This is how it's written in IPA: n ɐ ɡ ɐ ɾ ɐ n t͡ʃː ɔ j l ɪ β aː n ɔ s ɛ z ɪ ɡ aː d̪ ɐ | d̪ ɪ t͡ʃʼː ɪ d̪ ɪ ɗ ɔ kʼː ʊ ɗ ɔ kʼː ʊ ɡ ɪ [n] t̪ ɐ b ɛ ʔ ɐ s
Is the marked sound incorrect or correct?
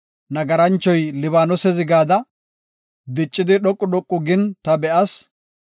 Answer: correct